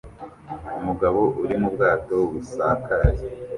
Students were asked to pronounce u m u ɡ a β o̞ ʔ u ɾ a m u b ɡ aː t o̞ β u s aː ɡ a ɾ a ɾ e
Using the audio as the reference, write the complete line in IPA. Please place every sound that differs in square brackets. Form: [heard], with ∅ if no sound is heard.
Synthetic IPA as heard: u m u ɡ a β o̞ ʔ u ɾ [i] m u b ɡ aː t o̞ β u s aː [k] a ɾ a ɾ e